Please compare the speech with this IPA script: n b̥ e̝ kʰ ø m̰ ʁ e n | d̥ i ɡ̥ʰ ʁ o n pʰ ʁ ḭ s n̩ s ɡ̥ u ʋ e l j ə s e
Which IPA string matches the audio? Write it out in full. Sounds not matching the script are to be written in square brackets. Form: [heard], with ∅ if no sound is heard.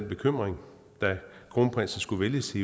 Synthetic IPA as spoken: n b̥ e̝ kʰ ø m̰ ʁ e [ŋ] | d̥ [æ] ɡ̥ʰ ʁ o n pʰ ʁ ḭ s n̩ s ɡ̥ u ʋ e l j ə s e